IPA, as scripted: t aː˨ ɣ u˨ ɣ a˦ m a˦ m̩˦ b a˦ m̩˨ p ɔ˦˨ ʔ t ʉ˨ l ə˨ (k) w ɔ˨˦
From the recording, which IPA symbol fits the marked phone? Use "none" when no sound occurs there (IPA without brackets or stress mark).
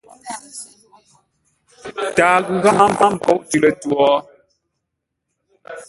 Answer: t